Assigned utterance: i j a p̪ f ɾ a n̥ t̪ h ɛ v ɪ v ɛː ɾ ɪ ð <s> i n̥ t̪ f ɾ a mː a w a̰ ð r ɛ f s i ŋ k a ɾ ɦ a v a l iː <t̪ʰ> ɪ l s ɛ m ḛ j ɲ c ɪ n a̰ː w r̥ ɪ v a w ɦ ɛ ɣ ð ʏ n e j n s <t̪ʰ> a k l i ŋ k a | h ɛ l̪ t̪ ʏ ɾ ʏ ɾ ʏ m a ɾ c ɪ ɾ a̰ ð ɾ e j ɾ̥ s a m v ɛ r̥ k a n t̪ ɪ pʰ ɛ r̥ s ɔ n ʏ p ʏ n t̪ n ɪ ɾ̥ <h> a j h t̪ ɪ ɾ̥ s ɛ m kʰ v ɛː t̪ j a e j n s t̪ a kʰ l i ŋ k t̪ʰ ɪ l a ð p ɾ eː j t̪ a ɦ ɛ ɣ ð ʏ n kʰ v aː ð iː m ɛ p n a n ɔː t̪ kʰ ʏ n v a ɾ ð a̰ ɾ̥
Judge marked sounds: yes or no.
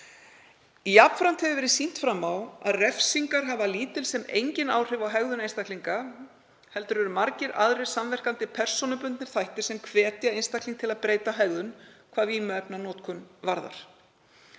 yes, no, no, no

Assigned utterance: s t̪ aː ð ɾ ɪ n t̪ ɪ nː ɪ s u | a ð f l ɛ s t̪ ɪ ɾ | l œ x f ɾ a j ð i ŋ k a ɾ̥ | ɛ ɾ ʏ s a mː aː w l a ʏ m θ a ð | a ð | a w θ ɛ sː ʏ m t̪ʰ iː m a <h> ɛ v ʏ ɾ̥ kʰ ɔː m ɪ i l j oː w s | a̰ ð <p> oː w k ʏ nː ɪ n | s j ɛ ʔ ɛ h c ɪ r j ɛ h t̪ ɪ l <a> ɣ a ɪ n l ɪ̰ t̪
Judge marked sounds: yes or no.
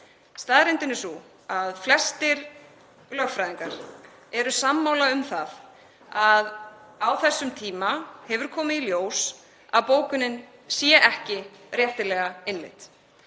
yes, yes, no

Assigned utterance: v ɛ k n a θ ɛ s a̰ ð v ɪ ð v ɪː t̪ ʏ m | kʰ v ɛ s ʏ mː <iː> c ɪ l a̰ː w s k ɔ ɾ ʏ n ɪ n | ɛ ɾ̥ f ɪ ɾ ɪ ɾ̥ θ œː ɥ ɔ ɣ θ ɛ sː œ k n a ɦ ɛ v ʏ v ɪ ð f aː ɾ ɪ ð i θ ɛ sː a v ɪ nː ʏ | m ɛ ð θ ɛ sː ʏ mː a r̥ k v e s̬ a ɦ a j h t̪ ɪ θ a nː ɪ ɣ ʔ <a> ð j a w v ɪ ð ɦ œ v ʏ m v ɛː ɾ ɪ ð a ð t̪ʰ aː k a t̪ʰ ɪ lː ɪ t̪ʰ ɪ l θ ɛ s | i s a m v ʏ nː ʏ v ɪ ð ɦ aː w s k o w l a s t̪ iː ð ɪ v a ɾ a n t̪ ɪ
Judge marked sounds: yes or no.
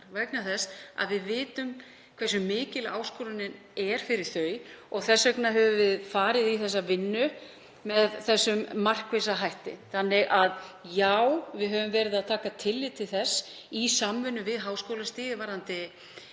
no, yes

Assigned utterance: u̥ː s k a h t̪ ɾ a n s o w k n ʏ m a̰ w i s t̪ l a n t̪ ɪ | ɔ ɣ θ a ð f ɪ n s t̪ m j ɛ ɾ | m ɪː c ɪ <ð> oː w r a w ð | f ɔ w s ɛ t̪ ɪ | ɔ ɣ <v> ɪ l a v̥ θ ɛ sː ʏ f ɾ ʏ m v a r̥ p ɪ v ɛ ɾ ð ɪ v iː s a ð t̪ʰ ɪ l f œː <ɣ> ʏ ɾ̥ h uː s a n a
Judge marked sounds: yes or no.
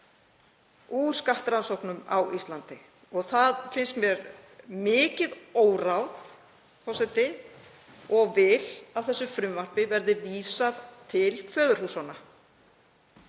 yes, yes, no

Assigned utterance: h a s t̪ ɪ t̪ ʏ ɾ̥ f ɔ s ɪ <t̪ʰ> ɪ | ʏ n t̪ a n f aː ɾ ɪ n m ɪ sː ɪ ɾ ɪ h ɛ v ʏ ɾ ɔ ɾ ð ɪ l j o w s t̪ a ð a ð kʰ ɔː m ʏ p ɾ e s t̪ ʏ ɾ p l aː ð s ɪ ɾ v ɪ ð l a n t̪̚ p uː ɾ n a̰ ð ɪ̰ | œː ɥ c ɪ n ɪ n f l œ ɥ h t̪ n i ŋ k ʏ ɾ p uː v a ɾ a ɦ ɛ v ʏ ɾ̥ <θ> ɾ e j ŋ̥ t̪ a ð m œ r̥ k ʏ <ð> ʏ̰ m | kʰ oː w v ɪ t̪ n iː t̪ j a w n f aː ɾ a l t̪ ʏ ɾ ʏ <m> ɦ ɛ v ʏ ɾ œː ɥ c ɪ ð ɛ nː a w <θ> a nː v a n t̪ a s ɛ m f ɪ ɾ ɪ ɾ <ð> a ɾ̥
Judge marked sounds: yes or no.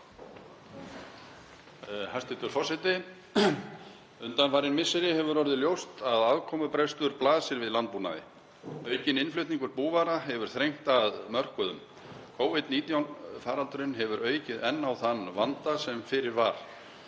no, yes, yes, no, yes, no

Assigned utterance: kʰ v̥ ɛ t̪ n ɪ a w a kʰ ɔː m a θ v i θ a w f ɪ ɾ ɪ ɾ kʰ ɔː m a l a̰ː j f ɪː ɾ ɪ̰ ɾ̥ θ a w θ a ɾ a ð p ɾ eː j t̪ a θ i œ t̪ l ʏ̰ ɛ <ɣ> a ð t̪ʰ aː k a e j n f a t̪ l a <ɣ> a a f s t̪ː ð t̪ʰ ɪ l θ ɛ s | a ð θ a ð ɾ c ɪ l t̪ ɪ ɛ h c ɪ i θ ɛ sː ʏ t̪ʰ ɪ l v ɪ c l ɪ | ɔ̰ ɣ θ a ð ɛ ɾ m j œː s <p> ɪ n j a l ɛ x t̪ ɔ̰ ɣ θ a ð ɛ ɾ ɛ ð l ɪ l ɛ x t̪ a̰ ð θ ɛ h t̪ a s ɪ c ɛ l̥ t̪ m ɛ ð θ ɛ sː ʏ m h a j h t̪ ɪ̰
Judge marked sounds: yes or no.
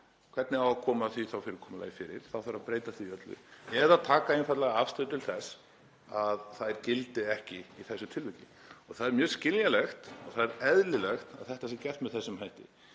no, yes, no

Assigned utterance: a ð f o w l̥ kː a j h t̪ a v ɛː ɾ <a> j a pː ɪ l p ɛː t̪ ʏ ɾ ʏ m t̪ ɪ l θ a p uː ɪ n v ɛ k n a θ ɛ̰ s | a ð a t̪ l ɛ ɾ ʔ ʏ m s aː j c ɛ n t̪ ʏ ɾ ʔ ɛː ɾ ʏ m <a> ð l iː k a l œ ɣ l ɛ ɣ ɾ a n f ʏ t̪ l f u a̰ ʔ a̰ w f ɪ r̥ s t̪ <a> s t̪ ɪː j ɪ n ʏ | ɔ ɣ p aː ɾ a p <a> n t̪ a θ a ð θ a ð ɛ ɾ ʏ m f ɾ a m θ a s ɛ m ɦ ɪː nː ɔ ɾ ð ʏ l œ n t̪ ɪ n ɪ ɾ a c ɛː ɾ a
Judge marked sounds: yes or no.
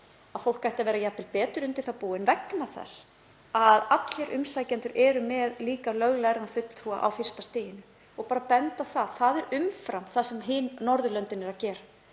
yes, no, yes, no

